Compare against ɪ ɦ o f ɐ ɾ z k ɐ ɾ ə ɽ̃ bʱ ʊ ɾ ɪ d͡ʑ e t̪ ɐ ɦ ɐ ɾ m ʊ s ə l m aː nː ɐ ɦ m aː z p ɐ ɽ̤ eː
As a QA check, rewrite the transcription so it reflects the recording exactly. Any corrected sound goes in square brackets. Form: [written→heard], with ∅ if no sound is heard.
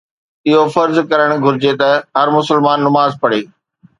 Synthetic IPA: ɪ ɦ o f ɐ ɾ z k ɐ ɾ ə ɽ̃ [bʱ→ɡʱ] ʊ ɾ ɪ d͡ʑ e t̪ ɐ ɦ ɐ ɾ m ʊ s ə l m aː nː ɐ [ɦ→∅] m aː z p ɐ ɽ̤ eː